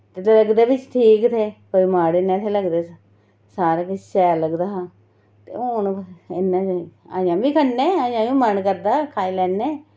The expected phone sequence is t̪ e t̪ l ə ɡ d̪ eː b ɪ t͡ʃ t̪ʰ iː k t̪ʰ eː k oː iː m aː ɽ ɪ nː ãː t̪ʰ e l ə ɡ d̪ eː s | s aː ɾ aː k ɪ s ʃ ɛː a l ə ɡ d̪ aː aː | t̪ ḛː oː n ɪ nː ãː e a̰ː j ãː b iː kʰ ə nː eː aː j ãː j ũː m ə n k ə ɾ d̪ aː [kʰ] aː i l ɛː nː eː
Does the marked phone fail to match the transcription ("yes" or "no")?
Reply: no